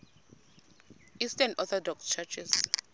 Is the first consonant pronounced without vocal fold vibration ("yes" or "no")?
yes